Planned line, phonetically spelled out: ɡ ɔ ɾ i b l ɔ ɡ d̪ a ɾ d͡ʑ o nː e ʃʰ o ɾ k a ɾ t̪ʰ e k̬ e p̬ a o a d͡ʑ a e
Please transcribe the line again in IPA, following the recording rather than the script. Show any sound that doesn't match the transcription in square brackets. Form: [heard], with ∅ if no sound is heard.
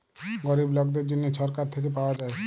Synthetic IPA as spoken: ɡ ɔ ɾ i b l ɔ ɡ d̪ [e] ɾ d͡ʑ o nː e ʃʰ [ɔ] ɾ k a ɾ t̪ʰ e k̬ e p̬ a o a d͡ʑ a e